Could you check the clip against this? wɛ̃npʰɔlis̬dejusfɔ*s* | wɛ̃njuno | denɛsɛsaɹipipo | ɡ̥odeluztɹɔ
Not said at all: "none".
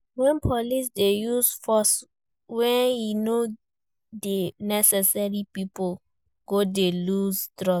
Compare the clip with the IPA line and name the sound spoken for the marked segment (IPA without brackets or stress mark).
s